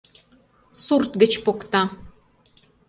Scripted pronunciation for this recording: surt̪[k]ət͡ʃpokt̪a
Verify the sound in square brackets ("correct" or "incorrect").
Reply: incorrect